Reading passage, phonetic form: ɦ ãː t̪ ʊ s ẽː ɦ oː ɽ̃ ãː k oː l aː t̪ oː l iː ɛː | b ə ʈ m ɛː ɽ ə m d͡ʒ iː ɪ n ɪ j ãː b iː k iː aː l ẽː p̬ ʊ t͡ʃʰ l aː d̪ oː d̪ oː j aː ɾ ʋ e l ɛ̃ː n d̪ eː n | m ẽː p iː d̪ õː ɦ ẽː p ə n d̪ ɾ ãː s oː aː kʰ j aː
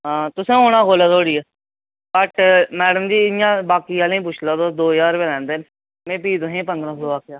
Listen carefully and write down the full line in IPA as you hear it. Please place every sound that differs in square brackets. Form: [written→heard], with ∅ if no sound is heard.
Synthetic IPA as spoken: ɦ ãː t̪ ʊ s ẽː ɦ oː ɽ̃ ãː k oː l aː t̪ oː [l→ɽ] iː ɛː | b ə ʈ m ɛː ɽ ə m d͡ʒ iː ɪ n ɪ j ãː b [iː→aː] k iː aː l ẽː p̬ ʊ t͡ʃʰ l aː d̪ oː d̪ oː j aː ɾ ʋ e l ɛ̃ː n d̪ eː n | m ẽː p iː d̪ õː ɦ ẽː p ə n d̪ ɾ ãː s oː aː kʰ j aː